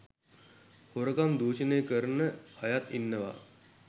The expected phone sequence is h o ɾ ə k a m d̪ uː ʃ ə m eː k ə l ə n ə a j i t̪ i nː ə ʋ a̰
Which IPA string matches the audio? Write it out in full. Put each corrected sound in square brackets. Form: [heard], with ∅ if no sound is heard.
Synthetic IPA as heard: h o ɾ ə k a m d̪ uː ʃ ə [n] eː k ə [ɾ] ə n ə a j [a] t̪ i nː ə ʋ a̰